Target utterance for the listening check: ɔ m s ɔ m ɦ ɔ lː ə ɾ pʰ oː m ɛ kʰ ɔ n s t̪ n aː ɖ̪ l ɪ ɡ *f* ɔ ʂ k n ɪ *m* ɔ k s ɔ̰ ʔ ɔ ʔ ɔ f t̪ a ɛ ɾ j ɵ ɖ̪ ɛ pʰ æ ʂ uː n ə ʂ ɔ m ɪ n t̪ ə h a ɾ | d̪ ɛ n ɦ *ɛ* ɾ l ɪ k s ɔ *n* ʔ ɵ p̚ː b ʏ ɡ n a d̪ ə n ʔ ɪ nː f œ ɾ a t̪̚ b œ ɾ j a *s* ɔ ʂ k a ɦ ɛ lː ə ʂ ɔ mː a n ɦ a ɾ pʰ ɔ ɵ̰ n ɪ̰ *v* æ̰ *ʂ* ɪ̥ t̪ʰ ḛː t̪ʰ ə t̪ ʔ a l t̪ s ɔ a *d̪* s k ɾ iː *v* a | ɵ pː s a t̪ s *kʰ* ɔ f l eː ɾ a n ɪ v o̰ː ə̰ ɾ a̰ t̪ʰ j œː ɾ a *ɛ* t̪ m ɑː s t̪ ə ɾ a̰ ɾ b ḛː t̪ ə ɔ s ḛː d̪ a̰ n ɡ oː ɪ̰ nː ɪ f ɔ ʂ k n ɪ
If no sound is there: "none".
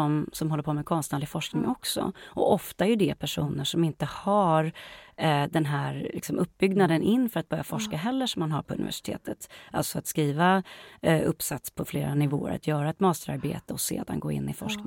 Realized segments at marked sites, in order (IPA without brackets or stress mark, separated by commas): f, ŋ, æ, m, f, v, ʂ, t̪, v, pʰ, ɛ